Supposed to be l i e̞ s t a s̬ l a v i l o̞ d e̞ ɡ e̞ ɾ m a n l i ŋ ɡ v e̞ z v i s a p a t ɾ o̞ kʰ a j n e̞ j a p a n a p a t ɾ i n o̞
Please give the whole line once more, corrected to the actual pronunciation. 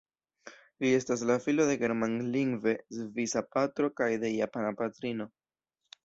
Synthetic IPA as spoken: l i e̞ s t a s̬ l a f i l o̞ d e̞ ɡ e̞ ɾ m a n l i ŋ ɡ v e̞ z v i s a p a t ɾ o̞ k a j d e̞ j a p a n a p a t ɾ i n o̞